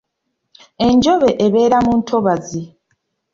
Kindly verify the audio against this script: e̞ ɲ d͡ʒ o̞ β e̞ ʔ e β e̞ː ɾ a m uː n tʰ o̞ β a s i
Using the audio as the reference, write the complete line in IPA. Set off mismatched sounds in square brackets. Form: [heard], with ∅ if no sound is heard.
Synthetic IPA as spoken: e̞ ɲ d͡ʒ o̞ β e̞ ʔ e β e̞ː ɾ a m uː n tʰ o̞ β a [z] i